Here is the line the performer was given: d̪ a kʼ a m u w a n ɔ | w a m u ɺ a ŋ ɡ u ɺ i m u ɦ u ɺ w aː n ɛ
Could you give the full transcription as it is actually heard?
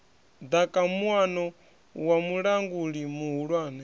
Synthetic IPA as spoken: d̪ a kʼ a m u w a n ɔ | w a m u ɺ a ŋ ɡ u ɺ i m u ɦ u ɺ w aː n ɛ